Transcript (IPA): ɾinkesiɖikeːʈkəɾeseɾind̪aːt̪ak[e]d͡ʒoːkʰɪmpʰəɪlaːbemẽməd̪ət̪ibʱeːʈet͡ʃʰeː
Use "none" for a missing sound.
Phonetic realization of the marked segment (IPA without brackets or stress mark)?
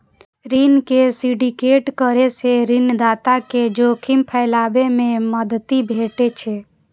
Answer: e